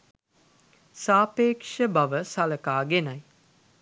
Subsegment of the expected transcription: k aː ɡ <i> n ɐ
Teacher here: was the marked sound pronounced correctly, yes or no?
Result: no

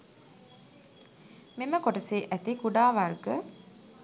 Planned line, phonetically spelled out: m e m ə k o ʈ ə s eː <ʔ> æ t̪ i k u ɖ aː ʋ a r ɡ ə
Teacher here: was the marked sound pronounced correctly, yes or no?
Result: yes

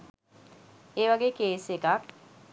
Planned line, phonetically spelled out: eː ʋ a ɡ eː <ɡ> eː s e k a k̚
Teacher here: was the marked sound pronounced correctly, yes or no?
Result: no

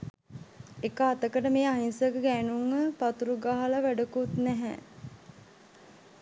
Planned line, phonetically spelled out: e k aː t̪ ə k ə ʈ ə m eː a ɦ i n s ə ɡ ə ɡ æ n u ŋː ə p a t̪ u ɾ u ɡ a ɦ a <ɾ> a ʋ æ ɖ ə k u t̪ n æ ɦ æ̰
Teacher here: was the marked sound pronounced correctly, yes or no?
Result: no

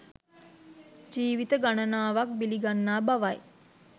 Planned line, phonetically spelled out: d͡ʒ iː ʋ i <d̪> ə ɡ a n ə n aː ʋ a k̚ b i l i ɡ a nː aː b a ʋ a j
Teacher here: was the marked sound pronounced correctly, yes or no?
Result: no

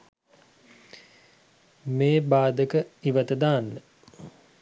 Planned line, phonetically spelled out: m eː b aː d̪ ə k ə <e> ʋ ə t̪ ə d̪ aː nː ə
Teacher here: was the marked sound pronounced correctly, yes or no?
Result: no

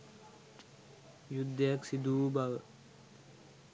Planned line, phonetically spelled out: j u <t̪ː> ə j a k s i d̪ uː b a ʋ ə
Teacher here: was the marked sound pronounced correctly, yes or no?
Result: no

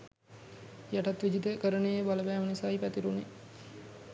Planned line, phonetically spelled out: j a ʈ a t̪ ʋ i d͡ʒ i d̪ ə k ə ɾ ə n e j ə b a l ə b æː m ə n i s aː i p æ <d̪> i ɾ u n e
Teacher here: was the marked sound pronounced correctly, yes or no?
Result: no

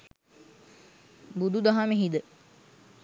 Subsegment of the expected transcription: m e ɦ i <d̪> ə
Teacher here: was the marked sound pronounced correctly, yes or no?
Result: yes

